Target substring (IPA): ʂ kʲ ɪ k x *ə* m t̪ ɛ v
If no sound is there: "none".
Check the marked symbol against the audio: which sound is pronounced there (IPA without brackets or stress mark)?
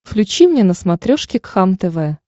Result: a